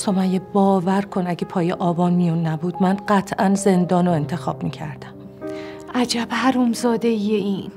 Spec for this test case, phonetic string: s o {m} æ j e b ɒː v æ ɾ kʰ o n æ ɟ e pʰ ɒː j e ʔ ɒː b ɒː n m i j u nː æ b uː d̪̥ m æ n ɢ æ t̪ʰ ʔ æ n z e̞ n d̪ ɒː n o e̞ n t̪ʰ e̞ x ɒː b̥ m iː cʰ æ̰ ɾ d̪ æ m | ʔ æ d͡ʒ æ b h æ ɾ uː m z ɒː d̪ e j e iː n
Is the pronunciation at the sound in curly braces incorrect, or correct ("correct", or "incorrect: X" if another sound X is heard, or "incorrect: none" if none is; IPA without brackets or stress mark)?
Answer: correct